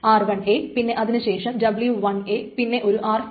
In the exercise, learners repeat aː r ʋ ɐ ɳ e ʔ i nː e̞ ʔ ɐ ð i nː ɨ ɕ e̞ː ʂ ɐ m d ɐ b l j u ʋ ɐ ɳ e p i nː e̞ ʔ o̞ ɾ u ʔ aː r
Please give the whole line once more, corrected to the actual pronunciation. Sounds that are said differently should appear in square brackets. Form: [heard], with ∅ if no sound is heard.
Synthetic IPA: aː r ʋ ɐ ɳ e [p] i nː e̞ ʔ ɐ ð i [n] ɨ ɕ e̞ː ʂ ɐ m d ɐ b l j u ʋ ɐ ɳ e p i nː e̞ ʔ o̞ ɾ u ʔ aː r